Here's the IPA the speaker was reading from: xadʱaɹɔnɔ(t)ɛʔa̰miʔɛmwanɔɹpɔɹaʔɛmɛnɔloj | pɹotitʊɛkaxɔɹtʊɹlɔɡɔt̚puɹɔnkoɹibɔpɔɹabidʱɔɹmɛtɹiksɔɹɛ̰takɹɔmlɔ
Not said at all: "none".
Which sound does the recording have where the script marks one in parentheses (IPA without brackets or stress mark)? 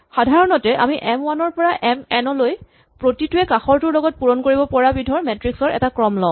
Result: t